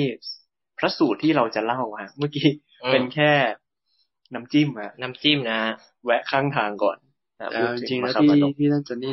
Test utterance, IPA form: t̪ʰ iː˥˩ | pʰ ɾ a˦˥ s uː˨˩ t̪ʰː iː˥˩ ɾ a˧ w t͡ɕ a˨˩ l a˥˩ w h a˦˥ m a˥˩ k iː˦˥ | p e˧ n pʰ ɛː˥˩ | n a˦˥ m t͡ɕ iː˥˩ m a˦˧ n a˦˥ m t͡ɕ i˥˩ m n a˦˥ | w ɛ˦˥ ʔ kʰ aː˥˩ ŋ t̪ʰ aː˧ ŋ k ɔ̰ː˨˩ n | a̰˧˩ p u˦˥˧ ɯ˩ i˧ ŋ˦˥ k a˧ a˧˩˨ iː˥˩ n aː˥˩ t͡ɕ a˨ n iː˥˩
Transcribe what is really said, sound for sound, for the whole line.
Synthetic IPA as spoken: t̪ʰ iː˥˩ | pʰ ɾ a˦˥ s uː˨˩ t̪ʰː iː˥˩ ɾ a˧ w t͡ɕ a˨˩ l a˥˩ w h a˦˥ m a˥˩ k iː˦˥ | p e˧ n kʰ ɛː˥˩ | n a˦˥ m t͡ɕ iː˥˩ m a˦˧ n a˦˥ m t͡ɕ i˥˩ m n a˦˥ | w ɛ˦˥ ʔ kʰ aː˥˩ ŋ t̪ʰ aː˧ ŋ k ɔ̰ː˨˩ n | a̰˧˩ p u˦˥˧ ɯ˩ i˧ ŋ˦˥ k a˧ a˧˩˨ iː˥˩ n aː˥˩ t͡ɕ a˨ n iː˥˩